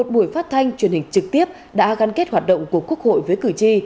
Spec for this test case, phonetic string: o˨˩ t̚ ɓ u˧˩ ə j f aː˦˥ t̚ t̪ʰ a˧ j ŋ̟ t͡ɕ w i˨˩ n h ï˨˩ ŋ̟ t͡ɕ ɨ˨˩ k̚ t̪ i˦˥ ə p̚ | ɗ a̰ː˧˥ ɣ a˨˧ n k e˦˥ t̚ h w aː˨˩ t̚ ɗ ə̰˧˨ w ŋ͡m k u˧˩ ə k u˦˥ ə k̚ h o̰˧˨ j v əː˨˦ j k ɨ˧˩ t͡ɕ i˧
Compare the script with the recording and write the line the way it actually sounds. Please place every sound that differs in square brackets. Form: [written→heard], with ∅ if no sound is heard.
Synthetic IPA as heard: o˨˩ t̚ ɓ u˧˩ ə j f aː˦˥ t̚ t̪ʰ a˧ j ŋ̟ t͡ɕ w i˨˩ n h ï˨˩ ŋ̟ t͡ɕ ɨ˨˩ k̚ t̪ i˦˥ ə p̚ | ɗ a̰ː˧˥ ɣ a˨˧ n k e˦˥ t̚ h w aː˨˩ t̚ ɗ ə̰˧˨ w ŋ͡m k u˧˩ ə k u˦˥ ə k̚ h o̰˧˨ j v əː˨˦ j k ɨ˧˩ t͡ɕ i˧